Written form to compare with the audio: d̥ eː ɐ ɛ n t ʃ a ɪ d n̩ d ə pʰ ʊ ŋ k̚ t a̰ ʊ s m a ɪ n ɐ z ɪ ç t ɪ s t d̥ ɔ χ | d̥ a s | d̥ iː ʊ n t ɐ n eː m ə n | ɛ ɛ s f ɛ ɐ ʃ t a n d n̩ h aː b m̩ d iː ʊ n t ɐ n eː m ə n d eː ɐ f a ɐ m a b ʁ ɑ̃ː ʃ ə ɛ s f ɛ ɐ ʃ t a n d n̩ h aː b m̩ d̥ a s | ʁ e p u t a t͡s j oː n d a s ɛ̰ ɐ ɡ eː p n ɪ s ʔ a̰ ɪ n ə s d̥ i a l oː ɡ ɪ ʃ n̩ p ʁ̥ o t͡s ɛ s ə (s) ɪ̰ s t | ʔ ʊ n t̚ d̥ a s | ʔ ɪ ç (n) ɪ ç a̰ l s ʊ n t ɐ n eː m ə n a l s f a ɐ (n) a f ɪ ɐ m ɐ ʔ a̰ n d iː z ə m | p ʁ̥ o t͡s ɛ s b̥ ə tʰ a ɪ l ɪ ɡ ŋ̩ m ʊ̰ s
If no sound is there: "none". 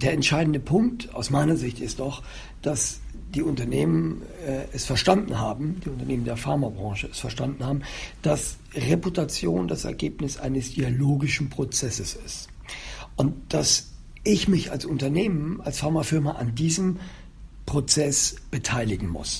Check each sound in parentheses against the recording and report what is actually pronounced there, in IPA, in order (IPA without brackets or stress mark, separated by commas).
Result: s, m, m